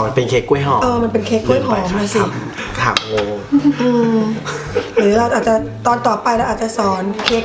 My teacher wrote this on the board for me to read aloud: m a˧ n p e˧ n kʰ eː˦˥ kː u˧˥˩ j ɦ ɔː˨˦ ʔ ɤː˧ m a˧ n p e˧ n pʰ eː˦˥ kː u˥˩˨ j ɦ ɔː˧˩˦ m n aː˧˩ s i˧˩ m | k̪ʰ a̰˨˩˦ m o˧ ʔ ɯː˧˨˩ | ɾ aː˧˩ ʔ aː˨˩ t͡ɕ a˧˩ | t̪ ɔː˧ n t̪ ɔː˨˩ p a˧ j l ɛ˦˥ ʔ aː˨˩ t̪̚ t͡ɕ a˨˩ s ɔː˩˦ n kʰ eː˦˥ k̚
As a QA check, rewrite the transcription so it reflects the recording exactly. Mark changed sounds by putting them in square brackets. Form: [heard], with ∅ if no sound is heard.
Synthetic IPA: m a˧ n p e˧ n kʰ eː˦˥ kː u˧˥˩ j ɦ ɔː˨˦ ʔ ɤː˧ m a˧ n p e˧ n [kʰ] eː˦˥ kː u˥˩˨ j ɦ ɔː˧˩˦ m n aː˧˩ s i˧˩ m | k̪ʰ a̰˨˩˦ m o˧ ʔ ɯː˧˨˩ | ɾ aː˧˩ ʔ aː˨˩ t͡ɕ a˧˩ | t̪ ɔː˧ n t̪ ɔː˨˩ p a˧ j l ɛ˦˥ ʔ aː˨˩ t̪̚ t͡ɕ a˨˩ s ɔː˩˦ n kʰ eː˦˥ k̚